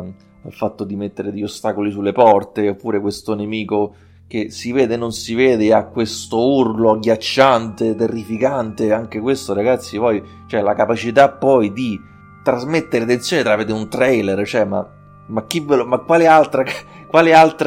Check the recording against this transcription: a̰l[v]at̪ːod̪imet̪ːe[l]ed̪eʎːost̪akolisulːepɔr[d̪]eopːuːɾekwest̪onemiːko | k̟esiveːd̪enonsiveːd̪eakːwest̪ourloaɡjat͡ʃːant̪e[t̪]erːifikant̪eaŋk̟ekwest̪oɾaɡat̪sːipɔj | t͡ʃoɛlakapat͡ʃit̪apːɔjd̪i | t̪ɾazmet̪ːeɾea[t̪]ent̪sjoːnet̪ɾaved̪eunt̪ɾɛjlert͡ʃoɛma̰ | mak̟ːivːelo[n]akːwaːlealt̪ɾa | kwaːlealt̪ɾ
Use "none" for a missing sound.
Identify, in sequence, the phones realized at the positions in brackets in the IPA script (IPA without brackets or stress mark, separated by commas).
f, ɾ, t̪, t̪, t̪, m